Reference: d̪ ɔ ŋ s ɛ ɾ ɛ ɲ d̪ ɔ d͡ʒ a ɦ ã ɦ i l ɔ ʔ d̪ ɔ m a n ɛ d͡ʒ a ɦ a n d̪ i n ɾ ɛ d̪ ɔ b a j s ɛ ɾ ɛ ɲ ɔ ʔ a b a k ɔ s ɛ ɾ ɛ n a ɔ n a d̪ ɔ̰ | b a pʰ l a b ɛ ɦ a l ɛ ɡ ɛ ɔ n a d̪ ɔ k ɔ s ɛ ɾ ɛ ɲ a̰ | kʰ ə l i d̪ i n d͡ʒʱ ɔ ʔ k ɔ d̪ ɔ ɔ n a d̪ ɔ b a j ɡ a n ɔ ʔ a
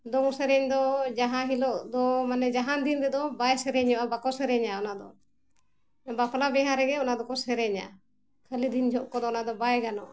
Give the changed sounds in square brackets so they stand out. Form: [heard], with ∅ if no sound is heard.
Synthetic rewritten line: d̪ ɔ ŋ s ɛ ɾ ɛ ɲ d̪ ɔ d͡ʒ a ɦ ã ɦ i l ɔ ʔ d̪ ɔ m a n ɛ d͡ʒ a ɦ a n d̪ i n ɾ ɛ d̪ ɔ b a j s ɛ ɾ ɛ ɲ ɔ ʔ a b a k ɔ s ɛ ɾ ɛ [ɲ] a ɔ n a d̪ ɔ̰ | b a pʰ l a b ɛ ɦ a [ɾ] ɛ ɡ ɛ ɔ n a d̪ ɔ k ɔ s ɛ ɾ ɛ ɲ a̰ | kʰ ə l i d̪ i n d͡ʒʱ ɔ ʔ k ɔ d̪ ɔ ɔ n a d̪ ɔ b a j ɡ a n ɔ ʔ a